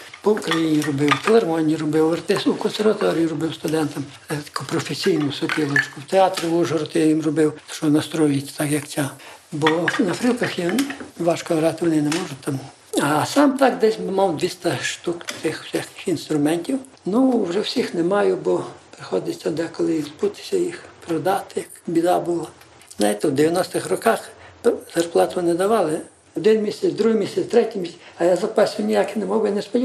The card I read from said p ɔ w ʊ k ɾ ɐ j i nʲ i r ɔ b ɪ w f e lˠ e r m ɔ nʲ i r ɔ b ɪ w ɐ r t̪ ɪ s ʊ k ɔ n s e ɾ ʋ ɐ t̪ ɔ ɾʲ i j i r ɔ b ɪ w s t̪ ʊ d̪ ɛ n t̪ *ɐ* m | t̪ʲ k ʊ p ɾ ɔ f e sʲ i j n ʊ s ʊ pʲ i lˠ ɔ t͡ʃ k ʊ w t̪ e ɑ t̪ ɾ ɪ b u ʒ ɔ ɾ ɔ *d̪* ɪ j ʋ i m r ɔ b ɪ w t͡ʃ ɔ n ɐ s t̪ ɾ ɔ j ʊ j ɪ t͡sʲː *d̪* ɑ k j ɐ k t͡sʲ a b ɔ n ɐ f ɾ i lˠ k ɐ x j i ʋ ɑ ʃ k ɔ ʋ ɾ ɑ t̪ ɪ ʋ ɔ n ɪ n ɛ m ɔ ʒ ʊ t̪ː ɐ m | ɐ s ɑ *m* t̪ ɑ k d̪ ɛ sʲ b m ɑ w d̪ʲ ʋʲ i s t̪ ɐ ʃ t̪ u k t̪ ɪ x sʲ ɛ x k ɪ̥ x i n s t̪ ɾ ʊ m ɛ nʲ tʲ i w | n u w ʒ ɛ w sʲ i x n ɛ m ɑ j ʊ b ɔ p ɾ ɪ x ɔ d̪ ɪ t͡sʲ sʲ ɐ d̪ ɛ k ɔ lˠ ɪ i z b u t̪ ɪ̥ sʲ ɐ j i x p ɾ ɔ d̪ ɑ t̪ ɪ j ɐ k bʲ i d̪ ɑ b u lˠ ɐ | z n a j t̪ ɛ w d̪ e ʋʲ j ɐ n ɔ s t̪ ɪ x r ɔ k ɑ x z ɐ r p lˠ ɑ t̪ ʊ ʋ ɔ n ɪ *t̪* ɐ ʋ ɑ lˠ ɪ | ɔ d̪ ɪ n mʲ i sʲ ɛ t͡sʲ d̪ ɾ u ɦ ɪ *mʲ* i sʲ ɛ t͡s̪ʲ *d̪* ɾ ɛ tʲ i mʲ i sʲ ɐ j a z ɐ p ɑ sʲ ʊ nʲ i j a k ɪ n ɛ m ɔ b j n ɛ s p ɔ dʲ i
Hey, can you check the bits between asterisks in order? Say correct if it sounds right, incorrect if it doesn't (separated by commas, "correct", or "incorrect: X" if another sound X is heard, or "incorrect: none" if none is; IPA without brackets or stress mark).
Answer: correct, incorrect: t̪, incorrect: t̪, correct, incorrect: d̪, correct, incorrect: t̪